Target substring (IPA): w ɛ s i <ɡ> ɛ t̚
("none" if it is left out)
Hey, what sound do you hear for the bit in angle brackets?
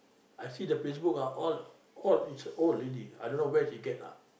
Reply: ɡ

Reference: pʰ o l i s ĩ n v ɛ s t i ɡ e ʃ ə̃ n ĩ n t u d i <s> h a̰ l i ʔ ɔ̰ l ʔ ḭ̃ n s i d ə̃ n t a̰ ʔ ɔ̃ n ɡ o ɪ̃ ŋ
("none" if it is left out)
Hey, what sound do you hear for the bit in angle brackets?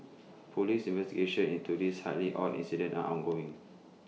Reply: s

